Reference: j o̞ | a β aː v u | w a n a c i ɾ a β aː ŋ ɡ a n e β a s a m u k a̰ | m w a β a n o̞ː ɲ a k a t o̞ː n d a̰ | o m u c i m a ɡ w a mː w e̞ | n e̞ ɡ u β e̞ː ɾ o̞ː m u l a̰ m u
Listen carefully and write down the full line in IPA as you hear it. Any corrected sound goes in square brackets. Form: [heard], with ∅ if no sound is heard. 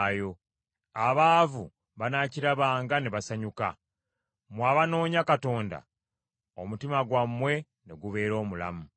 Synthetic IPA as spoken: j o̞ | a β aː v u | [β] a n a c i ɾ a β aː ŋ ɡ a n e β a s a [ɲ] u k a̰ | m w a β a n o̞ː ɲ a k a t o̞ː n d a̰ | o m u [t] i m a ɡ w a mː w e̞ | n e̞ ɡ u β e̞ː ɾ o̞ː m u l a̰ m u